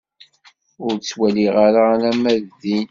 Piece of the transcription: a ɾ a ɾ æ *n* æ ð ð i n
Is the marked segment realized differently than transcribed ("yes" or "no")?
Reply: yes